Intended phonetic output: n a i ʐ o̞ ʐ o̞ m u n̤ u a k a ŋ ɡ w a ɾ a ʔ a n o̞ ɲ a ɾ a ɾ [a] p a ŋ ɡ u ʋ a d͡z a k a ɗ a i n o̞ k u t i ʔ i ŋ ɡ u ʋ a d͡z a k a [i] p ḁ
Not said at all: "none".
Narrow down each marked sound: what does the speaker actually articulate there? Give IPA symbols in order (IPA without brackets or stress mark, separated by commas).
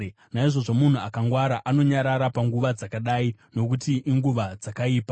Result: a, iː